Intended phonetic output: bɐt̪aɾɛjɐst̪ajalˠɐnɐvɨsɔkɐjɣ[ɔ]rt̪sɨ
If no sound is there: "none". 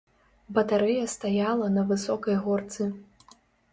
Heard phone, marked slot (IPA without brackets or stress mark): ɔ